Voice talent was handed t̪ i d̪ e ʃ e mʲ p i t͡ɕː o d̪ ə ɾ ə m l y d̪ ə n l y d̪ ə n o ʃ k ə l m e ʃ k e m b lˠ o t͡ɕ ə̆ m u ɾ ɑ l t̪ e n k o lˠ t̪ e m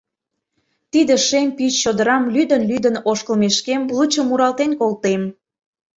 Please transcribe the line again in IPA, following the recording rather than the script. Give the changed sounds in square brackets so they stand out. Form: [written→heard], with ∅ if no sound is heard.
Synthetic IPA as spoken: t̪ i d̪ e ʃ e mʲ p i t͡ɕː o d̪ ə ɾ [ə→ɑ] m l y d̪ ə n l y d̪ ə n o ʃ k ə l m e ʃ k e m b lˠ [o→u] t͡ɕ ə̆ m u ɾ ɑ l t̪ e n k o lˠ t̪ e m

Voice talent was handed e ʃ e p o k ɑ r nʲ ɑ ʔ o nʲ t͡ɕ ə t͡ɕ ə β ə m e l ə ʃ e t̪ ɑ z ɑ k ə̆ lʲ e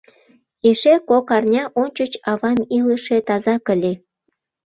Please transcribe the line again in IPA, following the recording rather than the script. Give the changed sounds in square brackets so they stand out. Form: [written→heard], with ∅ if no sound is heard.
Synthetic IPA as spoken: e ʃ e [p→k] o k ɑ r nʲ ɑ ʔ o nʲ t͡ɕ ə t͡ɕ [ə→ɑ] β [ə→ɑ] m [e→i] l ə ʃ e t̪ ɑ z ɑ k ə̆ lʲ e

